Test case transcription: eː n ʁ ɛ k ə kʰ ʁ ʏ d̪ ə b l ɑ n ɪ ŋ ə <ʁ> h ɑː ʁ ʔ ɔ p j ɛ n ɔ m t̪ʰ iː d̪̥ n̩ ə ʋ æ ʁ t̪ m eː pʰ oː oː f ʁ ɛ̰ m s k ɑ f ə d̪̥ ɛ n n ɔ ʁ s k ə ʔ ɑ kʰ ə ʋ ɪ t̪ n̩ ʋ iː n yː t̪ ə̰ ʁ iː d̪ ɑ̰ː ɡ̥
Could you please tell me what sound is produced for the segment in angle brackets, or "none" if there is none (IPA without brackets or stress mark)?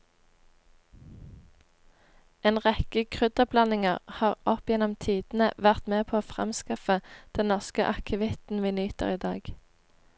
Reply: ʁ